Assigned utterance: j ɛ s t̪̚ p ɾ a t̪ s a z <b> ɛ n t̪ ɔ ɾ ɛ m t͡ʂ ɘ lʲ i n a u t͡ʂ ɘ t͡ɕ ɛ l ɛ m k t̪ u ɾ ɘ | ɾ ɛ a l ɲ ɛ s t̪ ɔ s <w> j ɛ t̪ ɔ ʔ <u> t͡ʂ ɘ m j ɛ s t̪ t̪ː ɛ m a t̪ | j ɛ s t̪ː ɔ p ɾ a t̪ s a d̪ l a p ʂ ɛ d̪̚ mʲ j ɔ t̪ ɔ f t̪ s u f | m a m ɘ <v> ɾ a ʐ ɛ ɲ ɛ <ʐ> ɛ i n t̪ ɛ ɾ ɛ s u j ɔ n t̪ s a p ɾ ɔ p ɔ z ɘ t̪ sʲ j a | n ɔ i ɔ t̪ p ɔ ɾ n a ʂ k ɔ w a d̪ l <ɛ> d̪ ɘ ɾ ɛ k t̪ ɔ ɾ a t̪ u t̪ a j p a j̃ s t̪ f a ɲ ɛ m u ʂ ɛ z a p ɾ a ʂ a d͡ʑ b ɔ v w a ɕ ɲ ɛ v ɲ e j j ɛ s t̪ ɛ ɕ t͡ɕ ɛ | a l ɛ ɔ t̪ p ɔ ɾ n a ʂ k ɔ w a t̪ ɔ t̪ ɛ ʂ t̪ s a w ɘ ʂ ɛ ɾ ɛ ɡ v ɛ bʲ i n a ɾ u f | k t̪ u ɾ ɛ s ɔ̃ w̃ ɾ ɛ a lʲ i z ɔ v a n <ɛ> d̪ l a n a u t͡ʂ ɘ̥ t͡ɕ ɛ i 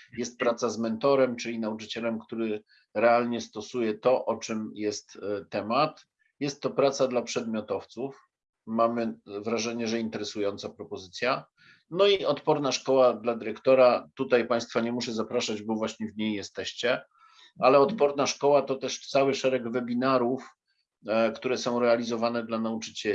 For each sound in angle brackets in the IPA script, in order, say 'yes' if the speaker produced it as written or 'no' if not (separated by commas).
no, no, no, yes, yes, no, yes